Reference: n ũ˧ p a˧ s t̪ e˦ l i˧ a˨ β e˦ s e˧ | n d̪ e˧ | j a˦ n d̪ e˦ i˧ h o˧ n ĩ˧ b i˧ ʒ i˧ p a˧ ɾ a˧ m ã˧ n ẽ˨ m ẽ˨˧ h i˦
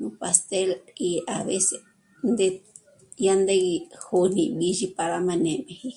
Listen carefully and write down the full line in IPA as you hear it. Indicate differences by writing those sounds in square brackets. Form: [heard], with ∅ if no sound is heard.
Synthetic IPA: n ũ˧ p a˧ s t̪ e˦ l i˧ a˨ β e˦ s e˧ | n d̪ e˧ | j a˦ n d̪ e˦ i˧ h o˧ n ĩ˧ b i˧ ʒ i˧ p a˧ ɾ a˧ m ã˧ n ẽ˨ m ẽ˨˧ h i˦